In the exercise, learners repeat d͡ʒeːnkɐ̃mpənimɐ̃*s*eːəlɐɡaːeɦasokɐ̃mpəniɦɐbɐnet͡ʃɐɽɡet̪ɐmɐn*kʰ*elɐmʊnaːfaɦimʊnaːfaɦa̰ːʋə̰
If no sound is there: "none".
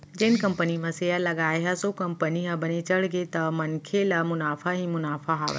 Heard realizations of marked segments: s, kʰ

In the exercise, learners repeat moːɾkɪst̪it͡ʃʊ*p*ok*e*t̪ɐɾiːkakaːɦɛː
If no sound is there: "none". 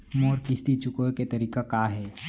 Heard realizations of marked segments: k, e

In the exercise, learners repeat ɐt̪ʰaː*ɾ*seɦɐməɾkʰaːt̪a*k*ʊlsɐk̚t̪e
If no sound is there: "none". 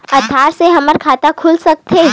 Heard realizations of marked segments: ɾ, kʰ

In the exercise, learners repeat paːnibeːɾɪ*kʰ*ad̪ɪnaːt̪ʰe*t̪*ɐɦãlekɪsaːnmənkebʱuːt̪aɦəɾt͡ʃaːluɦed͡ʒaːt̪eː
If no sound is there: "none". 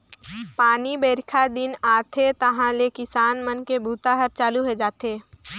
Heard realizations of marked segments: kʰ, t̪

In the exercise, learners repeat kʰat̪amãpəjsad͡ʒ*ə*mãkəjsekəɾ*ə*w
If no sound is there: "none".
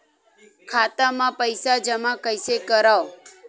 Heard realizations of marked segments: ə, a

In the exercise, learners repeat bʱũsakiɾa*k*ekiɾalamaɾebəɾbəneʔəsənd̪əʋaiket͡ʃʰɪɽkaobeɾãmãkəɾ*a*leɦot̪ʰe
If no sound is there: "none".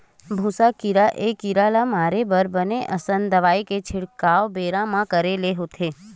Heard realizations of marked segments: ʔ, e

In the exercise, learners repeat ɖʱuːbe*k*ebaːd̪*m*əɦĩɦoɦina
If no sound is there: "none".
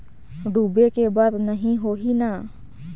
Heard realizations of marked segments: k, n

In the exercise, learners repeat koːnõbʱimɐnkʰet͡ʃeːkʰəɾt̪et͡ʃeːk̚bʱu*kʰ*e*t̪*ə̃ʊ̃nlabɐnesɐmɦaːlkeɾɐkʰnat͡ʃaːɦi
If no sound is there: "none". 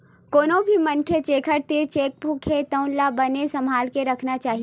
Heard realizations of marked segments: kʰ, t̪

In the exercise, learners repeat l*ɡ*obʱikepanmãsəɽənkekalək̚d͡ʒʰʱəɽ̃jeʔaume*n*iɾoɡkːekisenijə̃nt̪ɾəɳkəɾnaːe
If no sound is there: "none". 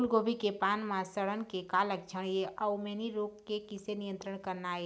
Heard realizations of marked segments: ɡ, n

